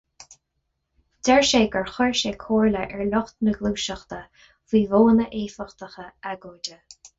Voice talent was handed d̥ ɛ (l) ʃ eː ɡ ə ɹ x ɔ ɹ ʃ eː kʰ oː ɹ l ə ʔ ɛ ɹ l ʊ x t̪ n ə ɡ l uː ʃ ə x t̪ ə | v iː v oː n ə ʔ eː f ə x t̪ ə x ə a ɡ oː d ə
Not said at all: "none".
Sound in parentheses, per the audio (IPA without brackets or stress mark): ɹ